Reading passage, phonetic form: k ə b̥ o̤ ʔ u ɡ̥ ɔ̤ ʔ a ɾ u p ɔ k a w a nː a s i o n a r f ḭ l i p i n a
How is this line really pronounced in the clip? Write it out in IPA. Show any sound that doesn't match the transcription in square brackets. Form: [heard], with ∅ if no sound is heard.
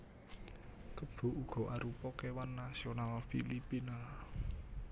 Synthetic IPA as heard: k ə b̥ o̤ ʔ u ɡ̥ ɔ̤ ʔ a ɾ u p ɔ k [e] w a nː a s i o n a [l] f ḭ l i p i n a